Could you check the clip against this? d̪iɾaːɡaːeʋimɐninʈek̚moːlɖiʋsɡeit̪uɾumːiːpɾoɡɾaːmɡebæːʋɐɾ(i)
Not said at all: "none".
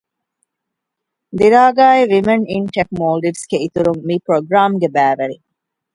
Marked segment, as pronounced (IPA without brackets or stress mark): i